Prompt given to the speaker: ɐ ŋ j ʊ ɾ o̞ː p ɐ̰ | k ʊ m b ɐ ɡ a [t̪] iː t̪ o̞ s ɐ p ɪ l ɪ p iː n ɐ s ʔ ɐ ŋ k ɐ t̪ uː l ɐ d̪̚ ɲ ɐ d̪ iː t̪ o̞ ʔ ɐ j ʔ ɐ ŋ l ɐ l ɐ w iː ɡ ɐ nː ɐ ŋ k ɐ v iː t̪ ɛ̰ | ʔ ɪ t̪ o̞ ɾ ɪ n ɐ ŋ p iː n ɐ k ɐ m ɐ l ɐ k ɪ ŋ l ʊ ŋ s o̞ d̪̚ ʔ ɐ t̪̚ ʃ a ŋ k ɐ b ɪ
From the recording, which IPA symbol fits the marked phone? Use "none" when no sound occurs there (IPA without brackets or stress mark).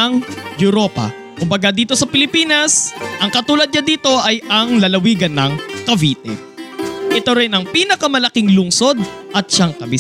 d̪